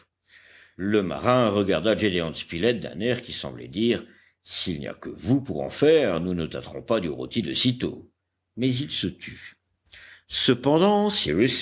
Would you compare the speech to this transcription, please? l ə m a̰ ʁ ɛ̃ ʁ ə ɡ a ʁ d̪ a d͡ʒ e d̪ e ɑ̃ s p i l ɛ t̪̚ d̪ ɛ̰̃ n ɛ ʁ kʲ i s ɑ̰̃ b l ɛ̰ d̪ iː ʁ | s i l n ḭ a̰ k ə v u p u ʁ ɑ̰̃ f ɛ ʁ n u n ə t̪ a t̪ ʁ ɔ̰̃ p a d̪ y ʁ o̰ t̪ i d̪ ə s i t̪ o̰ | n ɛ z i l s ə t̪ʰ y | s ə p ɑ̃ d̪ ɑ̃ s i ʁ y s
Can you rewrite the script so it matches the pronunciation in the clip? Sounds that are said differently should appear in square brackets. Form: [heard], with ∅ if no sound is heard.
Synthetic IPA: l ə m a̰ ʁ ɛ̃ ʁ ə ɡ a ʁ d̪ a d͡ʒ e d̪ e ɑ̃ s p i l ɛ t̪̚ d̪ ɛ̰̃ n ɛ ʁ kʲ i s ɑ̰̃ b l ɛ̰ d̪ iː ʁ | s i l n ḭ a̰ k ə v u p u ʁ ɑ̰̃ f ɛ ʁ n u n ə t̪ a t̪ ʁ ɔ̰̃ p a d̪ y ʁ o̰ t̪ i d̪ ə s i t̪ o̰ | [m] ɛ z i l s ə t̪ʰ y | s ə p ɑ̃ d̪ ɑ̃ s i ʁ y s